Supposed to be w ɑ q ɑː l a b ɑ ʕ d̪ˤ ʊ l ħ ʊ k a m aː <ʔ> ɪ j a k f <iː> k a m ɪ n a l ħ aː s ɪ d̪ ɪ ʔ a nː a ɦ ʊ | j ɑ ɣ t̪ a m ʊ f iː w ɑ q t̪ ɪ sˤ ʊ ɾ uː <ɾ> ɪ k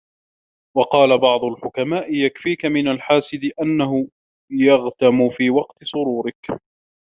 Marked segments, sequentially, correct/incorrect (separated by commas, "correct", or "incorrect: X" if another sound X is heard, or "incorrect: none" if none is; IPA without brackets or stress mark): correct, correct, correct